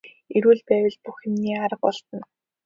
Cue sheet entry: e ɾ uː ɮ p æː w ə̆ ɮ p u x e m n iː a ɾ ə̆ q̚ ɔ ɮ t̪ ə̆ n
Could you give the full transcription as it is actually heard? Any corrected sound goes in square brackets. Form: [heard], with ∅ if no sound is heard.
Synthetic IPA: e ɾ uː ɮ p æː w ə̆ ɮ p u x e m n iː a ɾ ə̆ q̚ ɔ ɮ t̪ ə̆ n

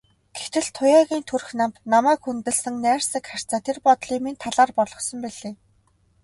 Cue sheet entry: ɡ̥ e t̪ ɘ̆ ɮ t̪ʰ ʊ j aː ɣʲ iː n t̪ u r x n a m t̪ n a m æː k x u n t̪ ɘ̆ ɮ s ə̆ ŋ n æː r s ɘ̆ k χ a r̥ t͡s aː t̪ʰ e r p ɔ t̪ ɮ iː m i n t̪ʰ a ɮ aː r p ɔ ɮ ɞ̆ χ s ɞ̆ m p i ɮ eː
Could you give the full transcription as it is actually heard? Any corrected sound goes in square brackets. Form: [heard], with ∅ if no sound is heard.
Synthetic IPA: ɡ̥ e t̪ ɘ̆ ɮ t̪ʰ ʊ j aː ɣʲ iː n [t̪ʰ] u r x n a m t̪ n a m æː k x u n t̪ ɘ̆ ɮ s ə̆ ŋ n æː r s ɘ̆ k χ a r̥ t͡s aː t̪ʰ e r p ɔ t̪ ɮ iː m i n t̪ʰ a ɮ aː r p ɔ ɮ ɞ̆ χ s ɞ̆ m p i ɮ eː

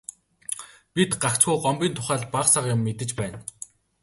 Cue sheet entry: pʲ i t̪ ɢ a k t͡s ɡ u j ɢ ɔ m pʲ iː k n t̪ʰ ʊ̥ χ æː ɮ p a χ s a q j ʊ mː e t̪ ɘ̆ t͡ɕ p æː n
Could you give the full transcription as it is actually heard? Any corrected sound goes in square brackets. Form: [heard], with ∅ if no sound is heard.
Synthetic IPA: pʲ i t̪ ɢ a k t͡s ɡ u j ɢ ɔ m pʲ iː [∅] n t̪ʰ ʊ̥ χ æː ɮ p a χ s a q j ʊ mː e t̪ ɘ̆ t͡ɕ p æː n

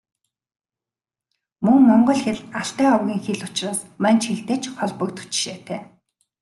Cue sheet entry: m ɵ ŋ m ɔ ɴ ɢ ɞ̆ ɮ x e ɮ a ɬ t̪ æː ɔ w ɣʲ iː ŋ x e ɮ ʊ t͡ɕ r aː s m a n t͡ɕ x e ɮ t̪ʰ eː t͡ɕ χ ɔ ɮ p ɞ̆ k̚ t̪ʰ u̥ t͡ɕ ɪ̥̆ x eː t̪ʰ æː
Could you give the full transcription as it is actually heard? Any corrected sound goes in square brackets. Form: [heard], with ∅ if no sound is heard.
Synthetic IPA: m ɵ ŋ m ɔ ɴ ɢ ɞ̆ ɮ x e ɮ a ɬ t̪ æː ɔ w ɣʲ iː ŋ x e ɮ ʊ t͡ɕ r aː s m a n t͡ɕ x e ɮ [t̪] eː t͡ɕ χ ɔ ɮ p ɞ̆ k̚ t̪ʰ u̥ t͡ɕ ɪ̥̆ [ʃ] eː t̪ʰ æː

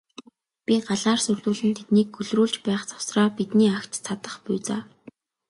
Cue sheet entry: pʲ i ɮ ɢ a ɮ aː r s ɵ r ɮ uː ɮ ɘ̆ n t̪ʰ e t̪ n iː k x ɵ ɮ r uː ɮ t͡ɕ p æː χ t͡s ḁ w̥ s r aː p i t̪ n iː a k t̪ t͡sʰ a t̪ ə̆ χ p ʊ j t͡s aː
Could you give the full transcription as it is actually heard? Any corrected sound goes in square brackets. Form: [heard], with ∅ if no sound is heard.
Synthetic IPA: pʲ i [∅] ɢ a ɮ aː r s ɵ r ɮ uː ɮ ɘ̆ n t̪ʰ e t̪ n iː k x ɵ ɮ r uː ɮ t͡ɕ p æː χ t͡s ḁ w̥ s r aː p i t̪ n iː a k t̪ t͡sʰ a t̪ ə̆ χ p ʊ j t͡s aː

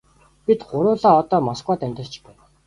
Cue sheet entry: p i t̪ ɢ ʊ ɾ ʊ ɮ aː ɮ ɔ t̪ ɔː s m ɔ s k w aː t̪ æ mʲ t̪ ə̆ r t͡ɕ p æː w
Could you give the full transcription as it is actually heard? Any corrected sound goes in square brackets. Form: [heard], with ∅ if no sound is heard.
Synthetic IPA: p i t̪ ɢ ʊ ɾ [ʊː] ɮ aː [∅] ɔ t̪ ɔː [∅] m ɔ s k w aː t̪ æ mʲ t̪ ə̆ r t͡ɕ p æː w

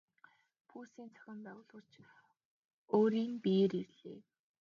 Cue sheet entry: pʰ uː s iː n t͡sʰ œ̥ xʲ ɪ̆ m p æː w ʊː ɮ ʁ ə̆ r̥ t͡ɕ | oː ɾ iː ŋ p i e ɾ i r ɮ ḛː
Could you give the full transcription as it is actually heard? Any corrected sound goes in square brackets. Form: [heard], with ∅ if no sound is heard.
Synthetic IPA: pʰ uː s iː n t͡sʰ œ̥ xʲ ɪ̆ m p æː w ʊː ɮ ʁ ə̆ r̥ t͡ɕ | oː ɾ iː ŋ p i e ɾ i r ɮ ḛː

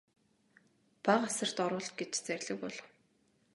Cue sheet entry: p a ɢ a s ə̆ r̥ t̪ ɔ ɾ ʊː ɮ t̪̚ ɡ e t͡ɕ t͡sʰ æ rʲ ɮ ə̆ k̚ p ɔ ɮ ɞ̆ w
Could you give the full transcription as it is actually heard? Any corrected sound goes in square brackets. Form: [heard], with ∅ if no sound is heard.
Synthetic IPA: p a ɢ a s ə̆ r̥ t̪ ɔ ɾ ʊː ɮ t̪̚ ɡ e t͡ɕ [t͡s] æ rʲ ɮ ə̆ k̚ p ɔ ɮ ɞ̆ w

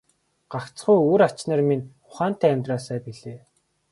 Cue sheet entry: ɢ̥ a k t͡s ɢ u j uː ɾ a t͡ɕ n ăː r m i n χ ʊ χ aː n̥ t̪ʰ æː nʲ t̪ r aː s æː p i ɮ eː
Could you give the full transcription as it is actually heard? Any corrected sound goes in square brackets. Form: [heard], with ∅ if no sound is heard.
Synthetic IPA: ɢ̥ a k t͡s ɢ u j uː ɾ a t͡ɕ n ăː r m i n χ ʊ χ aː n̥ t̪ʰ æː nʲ t̪ r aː s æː p i ɮ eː

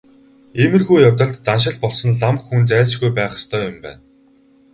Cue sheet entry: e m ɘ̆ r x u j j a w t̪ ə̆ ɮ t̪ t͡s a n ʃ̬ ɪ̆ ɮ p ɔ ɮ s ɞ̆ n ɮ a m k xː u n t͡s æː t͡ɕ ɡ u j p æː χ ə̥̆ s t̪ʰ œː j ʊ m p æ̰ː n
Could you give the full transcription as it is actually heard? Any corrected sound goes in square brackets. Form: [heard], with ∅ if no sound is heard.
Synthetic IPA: e m ɘ̆ r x u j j a w t̪ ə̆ ɮ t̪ t͡s a n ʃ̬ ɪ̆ ɮ p ɔ ɮ s ɞ̆ n ɮ a m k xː u n t͡s æː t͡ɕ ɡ u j p æː χ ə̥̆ s t̪ʰ œː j ʊ m p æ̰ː n

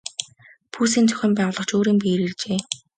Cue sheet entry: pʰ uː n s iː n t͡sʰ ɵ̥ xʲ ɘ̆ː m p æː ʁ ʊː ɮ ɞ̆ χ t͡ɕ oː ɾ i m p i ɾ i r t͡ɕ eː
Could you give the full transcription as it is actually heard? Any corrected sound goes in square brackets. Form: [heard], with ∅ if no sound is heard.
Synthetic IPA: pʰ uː [∅] s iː n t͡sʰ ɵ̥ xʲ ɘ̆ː m p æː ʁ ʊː ɮ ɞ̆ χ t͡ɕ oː ɾ [iː] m p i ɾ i r t͡ɕ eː

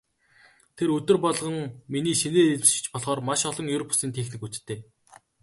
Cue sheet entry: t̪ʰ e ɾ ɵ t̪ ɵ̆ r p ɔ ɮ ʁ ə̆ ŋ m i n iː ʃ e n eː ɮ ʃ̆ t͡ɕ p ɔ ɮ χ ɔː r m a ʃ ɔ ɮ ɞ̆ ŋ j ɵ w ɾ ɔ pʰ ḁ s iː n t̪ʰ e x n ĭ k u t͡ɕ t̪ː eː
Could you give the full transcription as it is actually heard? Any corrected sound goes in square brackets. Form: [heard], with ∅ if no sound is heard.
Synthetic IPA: t̪ʰ e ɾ ɵ t̪ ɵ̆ r p ɔ ɮ ʁ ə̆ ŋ m i n iː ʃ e n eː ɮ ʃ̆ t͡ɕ p ɔ ɮ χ ɔː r m a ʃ ɔ ɮ ɞ̆ ŋ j ɵ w ɾ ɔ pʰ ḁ s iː n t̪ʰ e x n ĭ k u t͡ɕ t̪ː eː

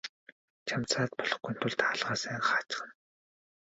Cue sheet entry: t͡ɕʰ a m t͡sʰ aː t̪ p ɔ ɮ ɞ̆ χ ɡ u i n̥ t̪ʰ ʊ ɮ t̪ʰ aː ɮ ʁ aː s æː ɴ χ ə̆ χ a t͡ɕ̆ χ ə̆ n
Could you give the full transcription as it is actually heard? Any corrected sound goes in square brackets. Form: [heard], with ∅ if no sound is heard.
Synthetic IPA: t͡ɕʰ a m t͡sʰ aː t̪ p ɔ ɮ ɞ̆ χ ɡ u [j] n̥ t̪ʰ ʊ ɮ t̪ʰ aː ɮ ʁ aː s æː ɴ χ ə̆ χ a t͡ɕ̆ χ ə̆ n

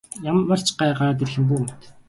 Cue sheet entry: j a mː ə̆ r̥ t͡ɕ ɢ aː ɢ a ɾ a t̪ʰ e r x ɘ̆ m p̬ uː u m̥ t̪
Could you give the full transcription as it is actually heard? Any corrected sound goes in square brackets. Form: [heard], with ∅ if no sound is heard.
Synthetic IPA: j a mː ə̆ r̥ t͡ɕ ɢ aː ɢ a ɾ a [t̪] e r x ɘ̆ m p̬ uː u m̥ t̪

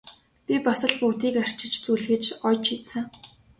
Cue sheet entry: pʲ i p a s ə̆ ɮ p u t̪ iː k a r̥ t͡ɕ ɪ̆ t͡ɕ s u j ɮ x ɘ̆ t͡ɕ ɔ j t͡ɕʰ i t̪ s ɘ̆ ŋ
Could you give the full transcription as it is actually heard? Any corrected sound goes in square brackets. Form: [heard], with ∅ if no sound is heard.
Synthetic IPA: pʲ i p a s ə̆ ɮ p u t̪ iː k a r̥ t͡ɕ ɪ̆ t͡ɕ [t͡s] u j ɮ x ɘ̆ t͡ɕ ɔ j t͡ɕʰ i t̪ s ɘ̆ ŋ

